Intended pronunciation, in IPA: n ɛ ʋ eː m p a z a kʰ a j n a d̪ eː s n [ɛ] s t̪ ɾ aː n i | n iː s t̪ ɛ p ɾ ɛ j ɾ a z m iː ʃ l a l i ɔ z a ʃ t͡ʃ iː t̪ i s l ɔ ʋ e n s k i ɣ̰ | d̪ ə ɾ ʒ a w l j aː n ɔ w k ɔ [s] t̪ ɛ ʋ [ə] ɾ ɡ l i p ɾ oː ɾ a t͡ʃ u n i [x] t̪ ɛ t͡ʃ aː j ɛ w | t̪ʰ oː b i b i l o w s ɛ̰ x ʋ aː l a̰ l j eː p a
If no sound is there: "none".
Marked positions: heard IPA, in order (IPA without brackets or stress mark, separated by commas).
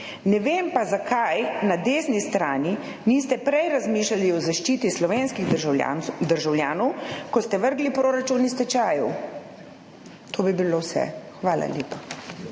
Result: i, s, ə, s